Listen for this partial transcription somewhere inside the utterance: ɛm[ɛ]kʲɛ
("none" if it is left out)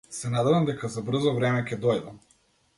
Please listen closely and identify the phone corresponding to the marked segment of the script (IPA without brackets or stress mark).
ɛ